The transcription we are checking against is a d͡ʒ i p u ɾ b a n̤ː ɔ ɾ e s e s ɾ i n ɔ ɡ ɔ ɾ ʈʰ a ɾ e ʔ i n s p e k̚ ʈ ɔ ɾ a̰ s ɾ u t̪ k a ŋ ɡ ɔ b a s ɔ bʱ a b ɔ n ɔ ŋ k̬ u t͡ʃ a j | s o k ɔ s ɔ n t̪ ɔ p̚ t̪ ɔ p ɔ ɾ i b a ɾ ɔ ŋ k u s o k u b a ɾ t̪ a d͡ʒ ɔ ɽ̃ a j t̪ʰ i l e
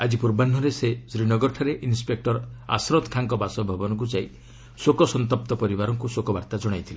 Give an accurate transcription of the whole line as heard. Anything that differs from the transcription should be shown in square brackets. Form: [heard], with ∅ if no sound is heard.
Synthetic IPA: a d͡ʒ i p u ɾ b a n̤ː ɔ ɾ e s e s ɾ i n ɔ ɡ ɔ ɾ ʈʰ a ɾ e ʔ i n s p e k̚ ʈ ɔ ɾ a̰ s ɾ [ɔ] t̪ [kʰ] a ŋ [k] ɔ b a s ɔ bʱ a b ɔ n ɔ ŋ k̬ u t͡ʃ a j | s o k ɔ s ɔ n t̪ ɔ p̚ t̪ ɔ p ɔ ɾ i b a ɾ ɔ ŋ k u s o k [ɔ] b a ɾ t̪ a d͡ʒ ɔ ɽ̃ a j t̪ʰ i l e